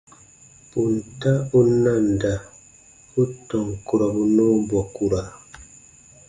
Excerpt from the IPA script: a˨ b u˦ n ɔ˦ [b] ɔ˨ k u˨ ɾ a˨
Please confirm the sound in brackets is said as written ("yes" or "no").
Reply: yes